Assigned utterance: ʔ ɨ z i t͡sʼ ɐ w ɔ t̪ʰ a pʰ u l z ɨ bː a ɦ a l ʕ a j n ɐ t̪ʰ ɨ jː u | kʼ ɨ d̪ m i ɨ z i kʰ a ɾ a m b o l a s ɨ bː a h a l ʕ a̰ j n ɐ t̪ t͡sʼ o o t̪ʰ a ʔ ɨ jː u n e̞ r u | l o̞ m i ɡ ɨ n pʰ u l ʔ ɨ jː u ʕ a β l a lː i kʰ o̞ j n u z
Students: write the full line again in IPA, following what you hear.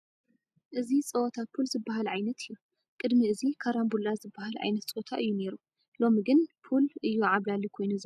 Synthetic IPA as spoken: ʔ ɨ z i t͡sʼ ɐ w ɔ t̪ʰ a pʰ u l z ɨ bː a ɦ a l ʕ a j n ɐ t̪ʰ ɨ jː u | kʼ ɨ d̪ m i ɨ z i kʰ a ɾ a m b u l a z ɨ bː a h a l ʕ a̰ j n ɐ t̪ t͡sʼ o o t̪ʰ a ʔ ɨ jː u n e̞ ɾ u | l o̞ m i ɡ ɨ n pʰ u l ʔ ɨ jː u ʕ a β l a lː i kʰ o̞ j n u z